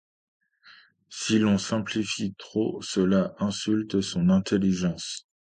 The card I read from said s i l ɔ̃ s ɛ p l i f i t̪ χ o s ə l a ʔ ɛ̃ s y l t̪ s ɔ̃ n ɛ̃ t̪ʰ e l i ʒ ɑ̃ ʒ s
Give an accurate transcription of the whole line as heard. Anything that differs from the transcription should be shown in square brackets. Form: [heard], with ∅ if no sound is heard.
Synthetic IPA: s i l ɔ̃ s [ɛ̃] p l i f i t̪ χ o s ə l a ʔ ɛ̃ s y l t̪ s ɔ̃ n ɛ̃ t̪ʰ e l i ʒ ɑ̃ [∅] s